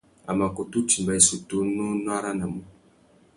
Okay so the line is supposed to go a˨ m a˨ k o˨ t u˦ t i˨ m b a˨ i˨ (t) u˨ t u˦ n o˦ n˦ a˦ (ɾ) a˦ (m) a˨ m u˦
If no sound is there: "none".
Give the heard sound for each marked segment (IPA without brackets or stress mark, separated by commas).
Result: s, ɾ, n